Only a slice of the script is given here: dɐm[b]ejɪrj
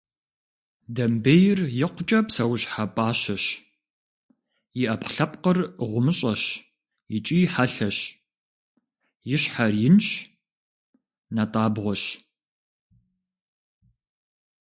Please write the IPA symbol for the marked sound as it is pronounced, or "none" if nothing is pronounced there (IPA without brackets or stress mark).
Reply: b